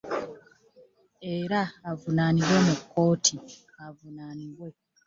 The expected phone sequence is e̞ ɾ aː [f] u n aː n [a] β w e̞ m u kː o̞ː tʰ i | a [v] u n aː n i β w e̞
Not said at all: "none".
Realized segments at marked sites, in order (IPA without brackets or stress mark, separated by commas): v, i, v